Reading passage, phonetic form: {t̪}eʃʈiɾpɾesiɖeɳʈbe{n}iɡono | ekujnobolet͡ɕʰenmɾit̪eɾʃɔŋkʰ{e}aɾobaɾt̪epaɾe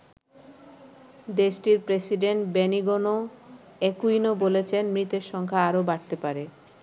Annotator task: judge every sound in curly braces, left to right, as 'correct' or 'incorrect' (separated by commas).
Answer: incorrect, correct, incorrect